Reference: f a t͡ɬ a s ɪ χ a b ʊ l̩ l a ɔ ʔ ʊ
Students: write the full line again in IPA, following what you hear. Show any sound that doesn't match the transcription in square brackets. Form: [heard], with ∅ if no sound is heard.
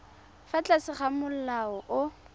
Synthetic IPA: f a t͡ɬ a s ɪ χ a [m] ʊ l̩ l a ɔ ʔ ʊ